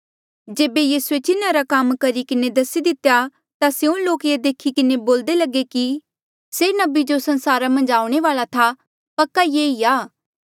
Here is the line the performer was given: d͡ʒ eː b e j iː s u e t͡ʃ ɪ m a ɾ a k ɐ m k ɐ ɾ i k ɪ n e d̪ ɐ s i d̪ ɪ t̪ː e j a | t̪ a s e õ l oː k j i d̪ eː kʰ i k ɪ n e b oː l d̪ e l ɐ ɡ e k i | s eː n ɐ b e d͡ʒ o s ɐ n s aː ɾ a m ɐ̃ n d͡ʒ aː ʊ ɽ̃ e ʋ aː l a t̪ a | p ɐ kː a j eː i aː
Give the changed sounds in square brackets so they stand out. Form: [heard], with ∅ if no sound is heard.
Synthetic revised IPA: d͡ʒ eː b e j iː s u e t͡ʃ ɪ [n] a ɾ a k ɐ m k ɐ ɾ i k ɪ n e d̪ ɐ s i d̪ ɪ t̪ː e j a | t̪ a s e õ l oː k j [e] d̪ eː kʰ i k ɪ n e b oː l d̪ e l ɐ ɡ e k i | s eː n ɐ b [i] d͡ʒ o s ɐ n s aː ɾ a m ɐ̃ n d͡ʒ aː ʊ ɽ̃ e ʋ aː l a [t̪ʰ] a | p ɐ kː a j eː i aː